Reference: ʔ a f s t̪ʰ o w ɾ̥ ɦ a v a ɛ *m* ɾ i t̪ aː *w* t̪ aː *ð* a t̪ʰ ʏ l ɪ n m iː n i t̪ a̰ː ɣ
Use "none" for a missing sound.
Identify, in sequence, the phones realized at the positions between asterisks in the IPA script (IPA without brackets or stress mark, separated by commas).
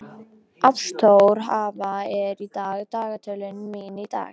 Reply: none, ɣ, ɣ